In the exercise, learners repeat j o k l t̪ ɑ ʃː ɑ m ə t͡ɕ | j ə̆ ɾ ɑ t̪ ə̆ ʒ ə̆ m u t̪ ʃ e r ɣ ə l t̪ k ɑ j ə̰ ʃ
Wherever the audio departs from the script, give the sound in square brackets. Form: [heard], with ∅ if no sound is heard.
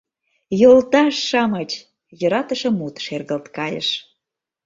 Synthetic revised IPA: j o [∅] l t̪ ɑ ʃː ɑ m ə t͡ɕ | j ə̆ ɾ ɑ t̪ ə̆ [ʃ] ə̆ m u t̪ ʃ e r ɣ ə l t̪ k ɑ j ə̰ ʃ